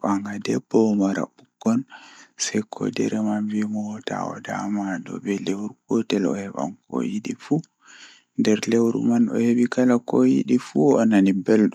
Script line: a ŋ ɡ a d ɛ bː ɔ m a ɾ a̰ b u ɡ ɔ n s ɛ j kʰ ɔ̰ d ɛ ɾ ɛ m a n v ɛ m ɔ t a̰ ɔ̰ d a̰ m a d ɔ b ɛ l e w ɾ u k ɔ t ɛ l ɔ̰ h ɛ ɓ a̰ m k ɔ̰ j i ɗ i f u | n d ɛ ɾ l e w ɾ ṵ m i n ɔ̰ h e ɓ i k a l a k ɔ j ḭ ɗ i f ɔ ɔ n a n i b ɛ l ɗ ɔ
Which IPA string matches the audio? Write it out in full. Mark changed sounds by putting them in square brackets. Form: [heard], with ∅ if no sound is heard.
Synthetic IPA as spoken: a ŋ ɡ a d ɛ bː ɔ m a ɾ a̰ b u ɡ ɔ n s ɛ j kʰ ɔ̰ d ɛ ɾ ɛ m a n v [i] m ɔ t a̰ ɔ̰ d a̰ m a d ɔ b ɛ l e w ɾ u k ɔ t ɛ l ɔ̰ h ɛ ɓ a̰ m k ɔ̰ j i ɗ i f u | n d ɛ ɾ l e w ɾ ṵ m [a] n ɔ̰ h e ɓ i k a l a k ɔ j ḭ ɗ i f [u] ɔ n a n i b ɛ l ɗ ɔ